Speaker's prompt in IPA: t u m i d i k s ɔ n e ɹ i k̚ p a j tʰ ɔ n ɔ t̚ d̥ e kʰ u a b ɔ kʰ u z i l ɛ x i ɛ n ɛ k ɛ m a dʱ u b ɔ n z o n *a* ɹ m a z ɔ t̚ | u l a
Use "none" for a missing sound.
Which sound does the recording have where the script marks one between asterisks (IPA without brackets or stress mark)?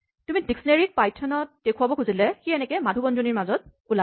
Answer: i